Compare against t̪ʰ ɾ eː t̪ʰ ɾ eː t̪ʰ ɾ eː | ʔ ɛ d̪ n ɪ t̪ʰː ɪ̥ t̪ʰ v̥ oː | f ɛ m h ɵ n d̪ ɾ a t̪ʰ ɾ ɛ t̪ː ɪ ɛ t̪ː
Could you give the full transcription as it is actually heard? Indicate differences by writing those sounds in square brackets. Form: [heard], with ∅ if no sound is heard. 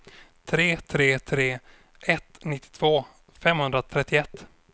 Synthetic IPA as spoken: t̪ʰ ɾ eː t̪ʰ ɾ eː t̪ʰ ɾ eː | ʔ ɛ [t̪] n ɪ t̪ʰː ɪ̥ t̪ʰ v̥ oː | f ɛ m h ɵ n d̪ ɾ a t̪ʰ ɾ ɛ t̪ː ɪ ɛ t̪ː

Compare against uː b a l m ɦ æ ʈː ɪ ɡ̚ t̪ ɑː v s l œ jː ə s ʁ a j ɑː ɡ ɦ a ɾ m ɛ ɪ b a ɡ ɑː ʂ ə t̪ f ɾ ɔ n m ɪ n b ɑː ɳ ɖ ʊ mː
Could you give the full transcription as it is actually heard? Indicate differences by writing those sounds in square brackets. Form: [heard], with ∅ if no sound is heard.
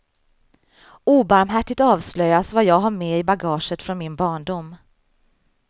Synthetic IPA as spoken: uː b a [ɾ] m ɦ æ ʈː ɪ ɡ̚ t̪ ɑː v s l œ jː [a] s [v] a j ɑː ɡ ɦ a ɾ m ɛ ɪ b a ɡ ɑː ʂ ə t̪ f ɾ ɔ n m ɪ n b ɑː ɳ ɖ ʊ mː

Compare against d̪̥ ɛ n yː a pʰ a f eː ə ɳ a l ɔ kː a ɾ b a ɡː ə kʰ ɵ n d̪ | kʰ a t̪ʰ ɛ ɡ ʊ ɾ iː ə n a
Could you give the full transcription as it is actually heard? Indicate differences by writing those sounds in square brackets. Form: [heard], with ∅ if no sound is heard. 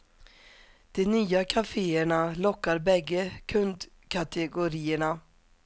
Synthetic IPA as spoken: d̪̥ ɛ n yː a [kʰ] a f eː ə ɳ a l ɔ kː a ɾ b [ɛ] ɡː ə kʰ ɵ n d̪ | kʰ a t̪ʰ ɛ ɡ ʊ ɾ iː ə [ɳ] a

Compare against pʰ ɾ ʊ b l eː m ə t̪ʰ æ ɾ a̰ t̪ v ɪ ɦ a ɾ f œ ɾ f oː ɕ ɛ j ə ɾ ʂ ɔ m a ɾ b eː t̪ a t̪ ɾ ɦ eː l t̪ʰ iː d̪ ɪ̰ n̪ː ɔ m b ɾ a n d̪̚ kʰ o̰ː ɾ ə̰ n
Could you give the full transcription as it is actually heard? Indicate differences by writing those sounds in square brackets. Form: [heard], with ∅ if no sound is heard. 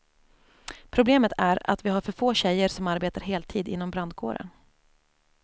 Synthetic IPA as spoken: pʰ ɾ ʊ b l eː m ə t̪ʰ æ ɾ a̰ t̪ v ɪ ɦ a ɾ f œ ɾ f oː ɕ ɛ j ə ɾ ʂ ɔ m a ɾ b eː t̪ a [∅] ɾ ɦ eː l t̪ʰ iː d̪ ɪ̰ n̪ː ɔ m b ɾ a n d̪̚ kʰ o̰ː ɾ ə̰ n

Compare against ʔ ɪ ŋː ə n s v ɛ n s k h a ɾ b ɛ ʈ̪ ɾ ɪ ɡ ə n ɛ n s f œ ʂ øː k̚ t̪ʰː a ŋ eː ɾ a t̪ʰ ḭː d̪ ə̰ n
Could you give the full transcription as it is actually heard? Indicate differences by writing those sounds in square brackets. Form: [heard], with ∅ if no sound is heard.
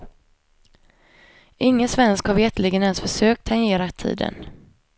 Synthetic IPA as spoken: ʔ ɪ ŋː ə n s v ɛ n s k h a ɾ [v] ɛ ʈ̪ [l] ɪ ɡ ə n ɛ n s f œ ʂ øː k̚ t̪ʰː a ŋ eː ɾ a t̪ʰ ḭː d̪ ə̰ n

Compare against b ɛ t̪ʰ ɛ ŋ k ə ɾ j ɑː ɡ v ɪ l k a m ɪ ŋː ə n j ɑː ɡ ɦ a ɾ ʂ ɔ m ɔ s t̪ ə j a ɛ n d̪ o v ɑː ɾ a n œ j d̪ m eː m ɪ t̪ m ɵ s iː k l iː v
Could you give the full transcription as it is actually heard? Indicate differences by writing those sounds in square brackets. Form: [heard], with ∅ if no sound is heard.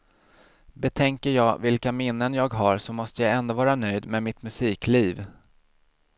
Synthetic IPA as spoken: b ɛ t̪ʰ ɛ ŋ k ə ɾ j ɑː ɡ v ɪ l k a m ɪ [nː] ə n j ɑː ɡ ɦ a ɾ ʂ ɔ m ɔ s t̪ ə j a ɛ n d̪ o v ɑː ɾ a n œ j d̪ m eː m ɪ t̪ m ɵ s iː k l iː v

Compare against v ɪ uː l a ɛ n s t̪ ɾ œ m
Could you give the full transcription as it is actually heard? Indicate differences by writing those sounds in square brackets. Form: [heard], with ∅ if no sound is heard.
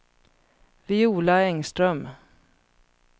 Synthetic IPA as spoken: v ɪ uː l a ɛ [ŋ] s t̪ ɾ œ m

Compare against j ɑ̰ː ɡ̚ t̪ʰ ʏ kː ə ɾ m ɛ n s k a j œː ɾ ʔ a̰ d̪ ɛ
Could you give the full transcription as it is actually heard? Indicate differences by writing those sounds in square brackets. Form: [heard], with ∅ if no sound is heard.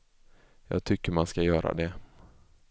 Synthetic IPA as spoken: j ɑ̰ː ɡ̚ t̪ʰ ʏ kː ə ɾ m [a] n s k a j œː ɾ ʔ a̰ d̪ ɛ

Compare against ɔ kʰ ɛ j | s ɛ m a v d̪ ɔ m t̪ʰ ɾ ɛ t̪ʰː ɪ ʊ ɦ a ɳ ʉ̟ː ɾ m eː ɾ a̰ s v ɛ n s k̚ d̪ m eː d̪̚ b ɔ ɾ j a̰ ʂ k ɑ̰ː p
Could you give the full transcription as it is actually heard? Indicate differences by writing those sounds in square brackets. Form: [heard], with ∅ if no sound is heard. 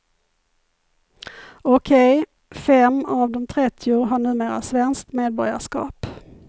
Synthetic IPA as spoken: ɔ kʰ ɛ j | [f] ɛ m a v d̪ ɔ m t̪ʰ ɾ ɛ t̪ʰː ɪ ʊ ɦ a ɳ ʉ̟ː [∅] m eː ɾ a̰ s v ɛ n s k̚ [t̪] m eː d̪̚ b ɔ ɾ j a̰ ʂ k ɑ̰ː p

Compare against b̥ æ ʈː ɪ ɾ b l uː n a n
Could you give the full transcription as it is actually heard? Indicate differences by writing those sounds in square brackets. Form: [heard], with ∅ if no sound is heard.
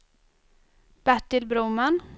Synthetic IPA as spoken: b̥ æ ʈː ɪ [l] b [ɾ] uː [m] a n

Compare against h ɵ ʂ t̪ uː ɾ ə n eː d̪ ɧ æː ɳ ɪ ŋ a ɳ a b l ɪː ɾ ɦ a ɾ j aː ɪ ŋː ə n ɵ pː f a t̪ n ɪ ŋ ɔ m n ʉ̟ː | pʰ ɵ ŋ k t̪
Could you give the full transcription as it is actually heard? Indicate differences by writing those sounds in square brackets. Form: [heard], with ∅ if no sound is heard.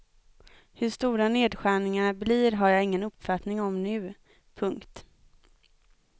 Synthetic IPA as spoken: h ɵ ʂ t̪ uː ɾ [a] n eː d̪ ɧ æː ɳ ɪ ŋ a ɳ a b l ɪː ɾ ɦ a ɾ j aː ɪ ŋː ə n ɵ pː f a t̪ n ɪ ŋ ɔ m n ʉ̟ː | pʰ ɵ ŋ k t̪

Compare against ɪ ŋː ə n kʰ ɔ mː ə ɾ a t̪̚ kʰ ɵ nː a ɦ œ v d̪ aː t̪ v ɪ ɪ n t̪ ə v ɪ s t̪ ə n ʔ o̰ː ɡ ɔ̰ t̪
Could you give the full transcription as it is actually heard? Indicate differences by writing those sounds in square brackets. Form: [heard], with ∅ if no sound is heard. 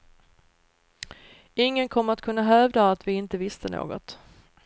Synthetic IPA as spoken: ɪ ŋː ə n kʰ ɔ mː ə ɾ a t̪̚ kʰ ɵ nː a ɦ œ v d̪ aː t̪ v ɪ ɪ n t̪ ə v ɪ s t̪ ə n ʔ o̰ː ɡ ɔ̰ t̪

